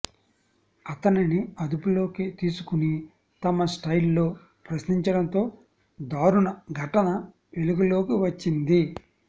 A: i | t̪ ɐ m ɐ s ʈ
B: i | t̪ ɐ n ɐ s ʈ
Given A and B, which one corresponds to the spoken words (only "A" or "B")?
A